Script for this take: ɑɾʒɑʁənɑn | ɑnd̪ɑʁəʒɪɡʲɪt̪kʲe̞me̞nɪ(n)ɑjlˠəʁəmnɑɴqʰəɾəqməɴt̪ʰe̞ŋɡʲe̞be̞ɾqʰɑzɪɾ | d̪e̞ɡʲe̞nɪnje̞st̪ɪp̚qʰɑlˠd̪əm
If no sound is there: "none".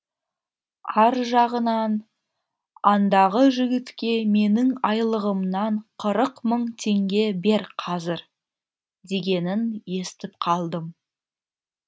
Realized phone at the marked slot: ŋ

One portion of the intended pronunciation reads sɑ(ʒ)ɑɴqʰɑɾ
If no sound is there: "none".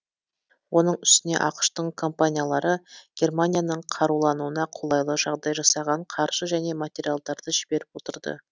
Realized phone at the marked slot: ʁ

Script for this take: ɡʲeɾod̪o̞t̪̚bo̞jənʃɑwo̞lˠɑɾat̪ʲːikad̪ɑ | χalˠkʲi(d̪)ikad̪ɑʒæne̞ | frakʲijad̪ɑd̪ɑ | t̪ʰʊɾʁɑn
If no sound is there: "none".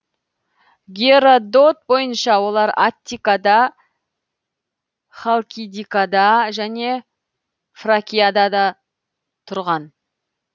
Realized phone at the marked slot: d̪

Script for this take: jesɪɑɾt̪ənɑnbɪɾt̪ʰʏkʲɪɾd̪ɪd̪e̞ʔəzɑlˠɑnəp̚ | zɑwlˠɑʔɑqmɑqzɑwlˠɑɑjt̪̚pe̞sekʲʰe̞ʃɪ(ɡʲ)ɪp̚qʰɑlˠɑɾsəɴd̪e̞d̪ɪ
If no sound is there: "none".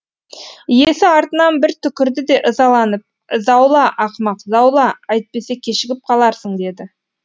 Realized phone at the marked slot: ɡʲ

